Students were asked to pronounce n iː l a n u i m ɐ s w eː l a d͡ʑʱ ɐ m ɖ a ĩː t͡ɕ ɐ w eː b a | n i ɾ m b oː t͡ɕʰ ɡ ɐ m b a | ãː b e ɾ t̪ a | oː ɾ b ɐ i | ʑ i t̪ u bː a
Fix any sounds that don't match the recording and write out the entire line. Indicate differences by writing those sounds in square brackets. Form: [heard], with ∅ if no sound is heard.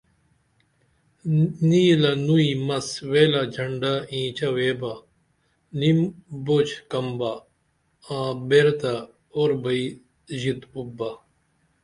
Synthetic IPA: n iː l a n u i m ɐ s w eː l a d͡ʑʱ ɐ [ɳ] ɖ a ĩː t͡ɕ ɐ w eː b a | n i [∅] m b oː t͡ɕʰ [k] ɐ m b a | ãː b e ɾ t̪ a | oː ɾ b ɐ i | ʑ i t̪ u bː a